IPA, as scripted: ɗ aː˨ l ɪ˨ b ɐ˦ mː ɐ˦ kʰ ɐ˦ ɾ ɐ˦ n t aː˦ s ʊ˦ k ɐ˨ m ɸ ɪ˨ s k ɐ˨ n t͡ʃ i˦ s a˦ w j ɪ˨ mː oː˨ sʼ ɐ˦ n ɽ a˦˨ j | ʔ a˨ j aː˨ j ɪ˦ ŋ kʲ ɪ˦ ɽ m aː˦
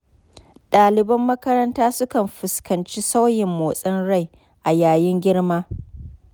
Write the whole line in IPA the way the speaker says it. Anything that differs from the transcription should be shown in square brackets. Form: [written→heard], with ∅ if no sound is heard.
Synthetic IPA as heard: ɗ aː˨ l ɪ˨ b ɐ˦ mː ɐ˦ [kʰ→k] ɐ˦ ɾ ɐ˦ n t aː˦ s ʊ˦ k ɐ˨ m ɸ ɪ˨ s k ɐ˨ n t͡ʃ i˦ s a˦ w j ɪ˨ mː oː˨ sʼ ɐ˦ n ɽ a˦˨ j | ʔ a˨ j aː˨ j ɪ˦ ŋ [kʲ→ɡʲ] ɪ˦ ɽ m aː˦